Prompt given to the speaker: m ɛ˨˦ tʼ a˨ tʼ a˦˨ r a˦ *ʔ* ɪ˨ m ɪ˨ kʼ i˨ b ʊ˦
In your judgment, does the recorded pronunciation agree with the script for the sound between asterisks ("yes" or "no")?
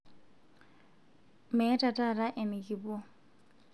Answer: yes